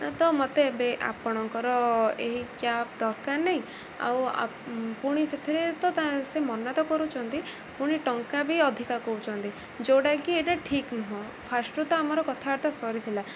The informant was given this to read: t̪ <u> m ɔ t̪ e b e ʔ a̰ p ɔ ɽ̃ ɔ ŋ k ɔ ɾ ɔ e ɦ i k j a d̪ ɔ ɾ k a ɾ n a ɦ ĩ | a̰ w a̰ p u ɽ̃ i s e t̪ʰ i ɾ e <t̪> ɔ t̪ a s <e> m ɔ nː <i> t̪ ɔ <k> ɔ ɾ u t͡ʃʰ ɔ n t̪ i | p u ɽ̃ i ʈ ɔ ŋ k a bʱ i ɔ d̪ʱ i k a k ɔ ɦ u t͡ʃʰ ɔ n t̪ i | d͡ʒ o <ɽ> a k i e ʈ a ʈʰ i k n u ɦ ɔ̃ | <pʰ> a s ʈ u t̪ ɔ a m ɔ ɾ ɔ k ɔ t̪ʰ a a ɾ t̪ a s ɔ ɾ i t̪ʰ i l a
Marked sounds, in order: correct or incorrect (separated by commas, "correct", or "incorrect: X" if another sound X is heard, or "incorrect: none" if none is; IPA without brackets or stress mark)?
incorrect: ɔ, correct, correct, incorrect: a, correct, correct, correct